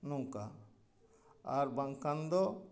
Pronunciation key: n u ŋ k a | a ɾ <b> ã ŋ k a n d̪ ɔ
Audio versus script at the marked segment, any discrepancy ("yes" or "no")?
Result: no